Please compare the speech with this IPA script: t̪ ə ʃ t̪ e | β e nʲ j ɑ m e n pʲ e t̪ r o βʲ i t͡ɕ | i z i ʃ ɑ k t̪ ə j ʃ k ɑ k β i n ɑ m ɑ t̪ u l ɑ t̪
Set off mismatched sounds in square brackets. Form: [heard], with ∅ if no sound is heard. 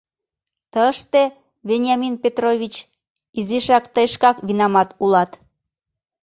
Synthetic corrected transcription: t̪ ə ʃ t̪ e | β e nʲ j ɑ m [i] n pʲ e t̪ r o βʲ i t͡ɕ | i z i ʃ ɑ k t̪ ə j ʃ k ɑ k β i n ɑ m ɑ t̪ u l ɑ t̪